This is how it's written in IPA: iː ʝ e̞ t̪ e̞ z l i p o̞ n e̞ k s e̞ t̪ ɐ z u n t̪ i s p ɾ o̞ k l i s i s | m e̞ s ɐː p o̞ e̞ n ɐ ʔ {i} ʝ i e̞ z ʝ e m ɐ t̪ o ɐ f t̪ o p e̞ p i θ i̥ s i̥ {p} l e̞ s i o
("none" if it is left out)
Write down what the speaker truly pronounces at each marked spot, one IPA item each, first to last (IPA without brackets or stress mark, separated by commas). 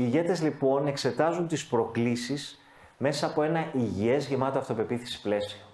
i, p